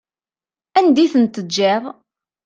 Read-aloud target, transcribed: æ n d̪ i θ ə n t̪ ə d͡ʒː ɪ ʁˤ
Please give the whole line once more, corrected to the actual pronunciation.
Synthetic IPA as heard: æ n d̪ i θ ə n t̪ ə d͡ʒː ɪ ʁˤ